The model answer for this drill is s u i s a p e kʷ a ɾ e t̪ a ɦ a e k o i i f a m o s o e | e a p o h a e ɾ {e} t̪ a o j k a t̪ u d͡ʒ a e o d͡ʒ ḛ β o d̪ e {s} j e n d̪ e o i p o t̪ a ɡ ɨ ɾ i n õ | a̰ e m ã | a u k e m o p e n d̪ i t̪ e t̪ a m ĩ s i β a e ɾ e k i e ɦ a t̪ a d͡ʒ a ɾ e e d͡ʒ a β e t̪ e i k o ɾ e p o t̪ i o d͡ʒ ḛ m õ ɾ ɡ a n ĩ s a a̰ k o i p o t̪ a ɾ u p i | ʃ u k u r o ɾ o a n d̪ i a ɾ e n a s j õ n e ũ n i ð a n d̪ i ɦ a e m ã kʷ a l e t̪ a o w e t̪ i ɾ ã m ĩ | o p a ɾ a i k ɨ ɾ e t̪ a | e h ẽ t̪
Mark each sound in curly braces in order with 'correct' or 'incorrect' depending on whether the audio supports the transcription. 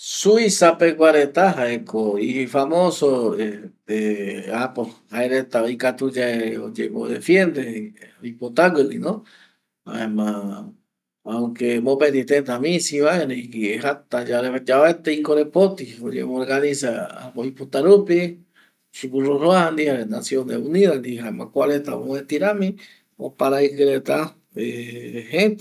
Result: correct, incorrect

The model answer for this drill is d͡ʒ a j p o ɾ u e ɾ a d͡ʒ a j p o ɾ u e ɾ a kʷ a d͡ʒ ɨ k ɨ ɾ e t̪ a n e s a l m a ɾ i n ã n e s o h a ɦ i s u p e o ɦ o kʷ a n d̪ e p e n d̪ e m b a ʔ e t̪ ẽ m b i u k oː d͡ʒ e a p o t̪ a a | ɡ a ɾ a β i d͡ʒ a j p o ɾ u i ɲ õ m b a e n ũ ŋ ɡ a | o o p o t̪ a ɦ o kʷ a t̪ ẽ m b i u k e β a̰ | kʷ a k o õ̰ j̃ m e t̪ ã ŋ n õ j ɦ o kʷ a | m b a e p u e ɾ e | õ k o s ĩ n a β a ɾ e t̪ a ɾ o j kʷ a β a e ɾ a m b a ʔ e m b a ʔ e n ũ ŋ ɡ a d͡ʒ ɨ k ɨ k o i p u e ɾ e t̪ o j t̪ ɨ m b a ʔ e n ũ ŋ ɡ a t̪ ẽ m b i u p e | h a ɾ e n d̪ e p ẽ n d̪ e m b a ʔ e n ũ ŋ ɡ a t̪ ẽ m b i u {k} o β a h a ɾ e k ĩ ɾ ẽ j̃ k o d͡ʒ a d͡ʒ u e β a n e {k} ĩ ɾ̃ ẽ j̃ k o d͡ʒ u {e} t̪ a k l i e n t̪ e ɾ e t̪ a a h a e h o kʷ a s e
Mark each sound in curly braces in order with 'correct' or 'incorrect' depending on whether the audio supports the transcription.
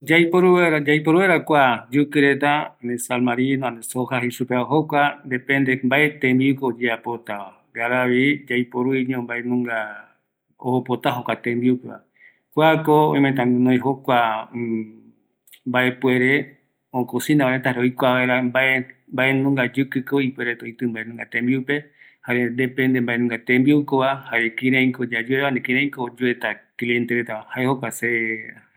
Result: correct, correct, correct

